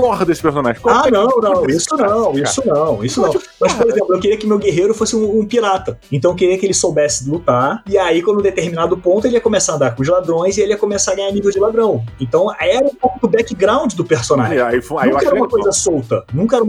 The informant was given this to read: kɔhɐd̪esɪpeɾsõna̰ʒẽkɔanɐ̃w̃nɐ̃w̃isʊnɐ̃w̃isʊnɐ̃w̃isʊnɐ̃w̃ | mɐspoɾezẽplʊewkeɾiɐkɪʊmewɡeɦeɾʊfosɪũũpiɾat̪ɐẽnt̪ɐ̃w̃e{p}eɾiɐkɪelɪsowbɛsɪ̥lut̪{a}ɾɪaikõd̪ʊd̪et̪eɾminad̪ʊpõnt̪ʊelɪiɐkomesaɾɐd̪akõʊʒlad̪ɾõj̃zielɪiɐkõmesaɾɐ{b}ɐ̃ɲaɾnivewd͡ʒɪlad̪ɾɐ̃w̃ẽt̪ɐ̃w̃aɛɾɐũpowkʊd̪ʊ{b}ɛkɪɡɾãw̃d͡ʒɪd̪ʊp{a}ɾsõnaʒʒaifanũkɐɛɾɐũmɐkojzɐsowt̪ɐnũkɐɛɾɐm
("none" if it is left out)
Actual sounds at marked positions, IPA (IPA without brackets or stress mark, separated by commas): k, a, ɡ, b, e